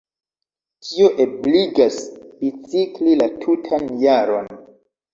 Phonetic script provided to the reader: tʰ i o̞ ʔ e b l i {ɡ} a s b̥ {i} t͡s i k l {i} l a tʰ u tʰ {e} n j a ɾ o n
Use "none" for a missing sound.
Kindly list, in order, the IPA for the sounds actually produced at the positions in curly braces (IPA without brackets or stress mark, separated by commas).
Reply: ɡ, i, i, a